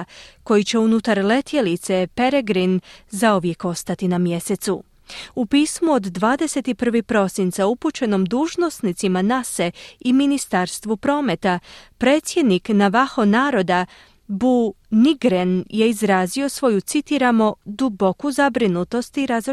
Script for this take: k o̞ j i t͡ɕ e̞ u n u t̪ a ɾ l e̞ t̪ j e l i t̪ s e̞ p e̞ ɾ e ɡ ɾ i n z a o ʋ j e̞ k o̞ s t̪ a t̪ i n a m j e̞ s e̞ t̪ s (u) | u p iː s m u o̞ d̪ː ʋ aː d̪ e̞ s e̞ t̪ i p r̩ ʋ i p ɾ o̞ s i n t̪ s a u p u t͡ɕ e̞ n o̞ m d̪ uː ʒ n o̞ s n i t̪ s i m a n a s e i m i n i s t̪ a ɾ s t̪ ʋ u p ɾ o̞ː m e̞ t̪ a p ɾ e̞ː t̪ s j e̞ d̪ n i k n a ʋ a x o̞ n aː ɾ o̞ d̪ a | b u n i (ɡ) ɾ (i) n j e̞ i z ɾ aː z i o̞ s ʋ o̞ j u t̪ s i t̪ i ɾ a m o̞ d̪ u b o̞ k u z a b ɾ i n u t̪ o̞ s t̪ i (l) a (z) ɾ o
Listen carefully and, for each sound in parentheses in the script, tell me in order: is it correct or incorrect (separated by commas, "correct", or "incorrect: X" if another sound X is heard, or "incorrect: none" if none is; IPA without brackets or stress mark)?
correct, correct, incorrect: e, incorrect: ɾ, correct